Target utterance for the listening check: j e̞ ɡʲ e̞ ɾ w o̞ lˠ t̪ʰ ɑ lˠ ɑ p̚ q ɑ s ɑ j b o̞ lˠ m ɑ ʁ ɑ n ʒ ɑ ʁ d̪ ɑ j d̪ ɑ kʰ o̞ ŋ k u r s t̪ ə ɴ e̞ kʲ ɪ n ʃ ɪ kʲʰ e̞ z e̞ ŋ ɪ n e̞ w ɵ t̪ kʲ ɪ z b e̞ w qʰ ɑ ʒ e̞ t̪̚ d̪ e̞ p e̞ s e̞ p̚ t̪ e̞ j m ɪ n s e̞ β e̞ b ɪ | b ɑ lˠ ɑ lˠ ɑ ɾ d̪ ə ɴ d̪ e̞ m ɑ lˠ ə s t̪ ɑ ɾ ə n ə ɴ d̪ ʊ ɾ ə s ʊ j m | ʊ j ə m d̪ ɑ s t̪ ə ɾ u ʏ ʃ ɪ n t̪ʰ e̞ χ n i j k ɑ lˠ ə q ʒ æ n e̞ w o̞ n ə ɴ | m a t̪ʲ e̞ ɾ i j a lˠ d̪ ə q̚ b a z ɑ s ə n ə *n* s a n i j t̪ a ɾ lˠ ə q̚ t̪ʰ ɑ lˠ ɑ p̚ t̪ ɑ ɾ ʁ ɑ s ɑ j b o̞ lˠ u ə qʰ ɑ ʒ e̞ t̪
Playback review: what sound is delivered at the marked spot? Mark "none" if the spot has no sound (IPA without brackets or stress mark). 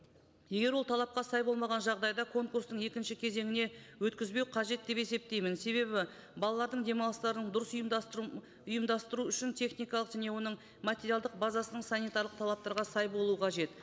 ɴ